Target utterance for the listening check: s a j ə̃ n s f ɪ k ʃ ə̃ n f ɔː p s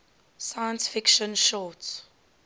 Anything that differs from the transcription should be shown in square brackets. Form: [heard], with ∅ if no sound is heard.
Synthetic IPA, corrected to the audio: s a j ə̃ n s f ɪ k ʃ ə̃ n [ʃ] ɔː [t] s